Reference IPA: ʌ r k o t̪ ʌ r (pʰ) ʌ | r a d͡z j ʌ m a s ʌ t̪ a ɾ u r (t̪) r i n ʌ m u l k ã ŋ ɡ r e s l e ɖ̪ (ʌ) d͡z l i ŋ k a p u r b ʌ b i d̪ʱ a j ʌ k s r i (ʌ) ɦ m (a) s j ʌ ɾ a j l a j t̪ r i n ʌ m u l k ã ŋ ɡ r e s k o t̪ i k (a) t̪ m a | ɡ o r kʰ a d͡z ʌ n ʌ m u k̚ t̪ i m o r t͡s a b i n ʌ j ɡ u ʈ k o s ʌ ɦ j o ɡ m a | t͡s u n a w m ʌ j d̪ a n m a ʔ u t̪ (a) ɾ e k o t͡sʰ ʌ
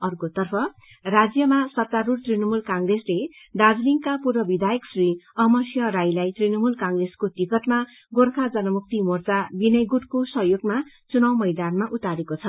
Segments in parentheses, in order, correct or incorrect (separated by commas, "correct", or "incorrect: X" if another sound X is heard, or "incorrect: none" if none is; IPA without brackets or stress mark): correct, correct, incorrect: a, correct, incorrect: ʌ, incorrect: ʌ, correct